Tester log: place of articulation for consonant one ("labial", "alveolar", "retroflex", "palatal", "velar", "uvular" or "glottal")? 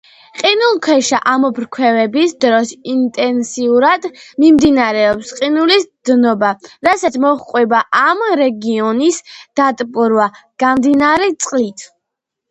uvular